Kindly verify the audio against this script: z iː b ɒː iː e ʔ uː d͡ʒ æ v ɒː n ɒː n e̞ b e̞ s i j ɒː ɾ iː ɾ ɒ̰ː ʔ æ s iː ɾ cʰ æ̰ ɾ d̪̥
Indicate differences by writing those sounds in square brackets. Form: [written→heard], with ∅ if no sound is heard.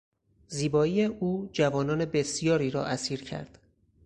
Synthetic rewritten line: z iː b ɒː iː e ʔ uː d͡ʒ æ v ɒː n ɒː n e̞ b e̞ s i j ɒː ɾ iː ɾ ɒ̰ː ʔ æ s iː ɾ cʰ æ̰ ɾ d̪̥